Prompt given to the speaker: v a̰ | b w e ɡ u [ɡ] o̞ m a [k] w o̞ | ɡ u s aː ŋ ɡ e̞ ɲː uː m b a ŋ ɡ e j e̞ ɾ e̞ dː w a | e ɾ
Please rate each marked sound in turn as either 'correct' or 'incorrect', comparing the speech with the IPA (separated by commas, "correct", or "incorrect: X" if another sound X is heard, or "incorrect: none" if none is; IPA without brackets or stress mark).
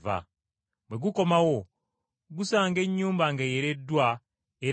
incorrect: k, incorrect: none